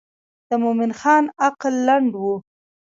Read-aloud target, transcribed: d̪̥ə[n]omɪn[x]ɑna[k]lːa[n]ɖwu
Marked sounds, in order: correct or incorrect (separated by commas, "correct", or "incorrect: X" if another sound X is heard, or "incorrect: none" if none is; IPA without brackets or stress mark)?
incorrect: m, correct, incorrect: q, incorrect: ɳ